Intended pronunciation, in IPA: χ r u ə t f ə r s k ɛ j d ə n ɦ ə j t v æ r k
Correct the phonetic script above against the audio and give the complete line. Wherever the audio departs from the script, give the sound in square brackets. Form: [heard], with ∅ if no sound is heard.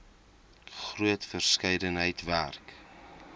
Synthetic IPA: χ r u ə t f ə r s k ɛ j d ə n ɦ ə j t v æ r k

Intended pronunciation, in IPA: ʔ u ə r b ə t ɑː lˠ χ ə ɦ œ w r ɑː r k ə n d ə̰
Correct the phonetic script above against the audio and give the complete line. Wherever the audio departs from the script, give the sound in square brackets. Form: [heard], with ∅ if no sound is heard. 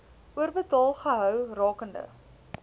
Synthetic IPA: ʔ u ə r b ə t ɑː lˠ χ ə ɦ œ w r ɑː [∅] k ə n d ə̰

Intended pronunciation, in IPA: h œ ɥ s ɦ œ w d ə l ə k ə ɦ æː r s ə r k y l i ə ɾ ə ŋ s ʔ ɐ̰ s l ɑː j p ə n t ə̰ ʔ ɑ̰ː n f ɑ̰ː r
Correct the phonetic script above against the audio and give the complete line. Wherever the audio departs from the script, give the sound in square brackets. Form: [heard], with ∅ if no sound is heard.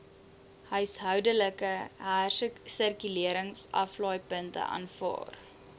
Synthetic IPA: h œ ɥ s ɦ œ w d ə l ə k ə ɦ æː r s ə r k y l i ə ɾ ə ŋ s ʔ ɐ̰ [f] l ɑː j p ə n t ə̰ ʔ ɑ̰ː n f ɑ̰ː r

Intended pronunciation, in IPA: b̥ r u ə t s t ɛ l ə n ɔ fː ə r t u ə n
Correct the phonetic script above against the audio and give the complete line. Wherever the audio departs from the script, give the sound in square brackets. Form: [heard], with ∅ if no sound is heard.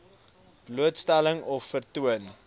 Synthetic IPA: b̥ [l] u ə t s t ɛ l ə [ŋ] ɔ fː ə r t u ə n

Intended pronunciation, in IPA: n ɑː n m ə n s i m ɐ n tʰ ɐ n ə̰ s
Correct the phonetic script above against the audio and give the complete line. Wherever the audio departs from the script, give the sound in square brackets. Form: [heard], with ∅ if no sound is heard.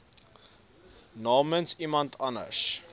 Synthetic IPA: n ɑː [∅] m ə n s i m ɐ n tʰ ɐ n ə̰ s

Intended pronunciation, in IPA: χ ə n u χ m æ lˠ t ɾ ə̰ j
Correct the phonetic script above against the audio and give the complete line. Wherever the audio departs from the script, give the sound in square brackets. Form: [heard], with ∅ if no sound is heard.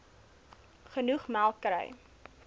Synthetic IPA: χ ə n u χ m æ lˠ [k] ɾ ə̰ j

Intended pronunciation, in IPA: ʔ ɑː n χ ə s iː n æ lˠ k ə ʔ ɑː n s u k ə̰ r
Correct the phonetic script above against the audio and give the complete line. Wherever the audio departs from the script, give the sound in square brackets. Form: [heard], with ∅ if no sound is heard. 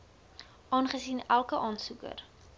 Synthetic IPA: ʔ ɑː n χ ə s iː n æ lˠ k ə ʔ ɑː n s u k ə̰ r

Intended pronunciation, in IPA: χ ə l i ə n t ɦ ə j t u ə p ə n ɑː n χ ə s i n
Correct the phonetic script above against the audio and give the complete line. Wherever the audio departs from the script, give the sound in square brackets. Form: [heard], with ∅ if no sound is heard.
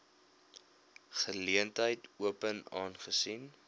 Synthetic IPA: χ ə l i ə n t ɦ ə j t u ə p ə n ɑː n χ ə s i n

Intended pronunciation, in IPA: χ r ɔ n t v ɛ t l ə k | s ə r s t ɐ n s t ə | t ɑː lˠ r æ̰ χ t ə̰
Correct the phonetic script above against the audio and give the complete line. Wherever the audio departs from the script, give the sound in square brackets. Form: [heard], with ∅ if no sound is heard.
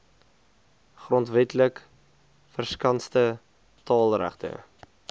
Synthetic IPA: χ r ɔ n t v ɛ t l ə k | [f] ə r s [k] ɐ n s t ə | t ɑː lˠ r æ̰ χ t ə̰

